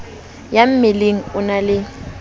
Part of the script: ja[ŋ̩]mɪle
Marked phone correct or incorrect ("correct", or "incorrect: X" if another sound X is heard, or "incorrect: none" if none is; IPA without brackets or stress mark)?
incorrect: m̩